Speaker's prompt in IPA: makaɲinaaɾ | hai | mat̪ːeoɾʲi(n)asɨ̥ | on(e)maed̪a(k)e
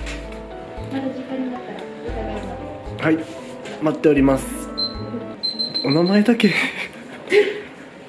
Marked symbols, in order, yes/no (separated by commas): no, no, yes